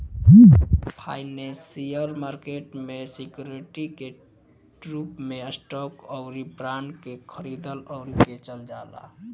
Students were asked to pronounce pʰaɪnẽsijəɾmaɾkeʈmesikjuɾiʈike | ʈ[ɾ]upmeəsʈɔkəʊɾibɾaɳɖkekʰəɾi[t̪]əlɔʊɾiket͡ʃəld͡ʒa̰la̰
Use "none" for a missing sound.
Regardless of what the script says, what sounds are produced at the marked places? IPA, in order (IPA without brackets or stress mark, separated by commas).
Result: ɾ, d̪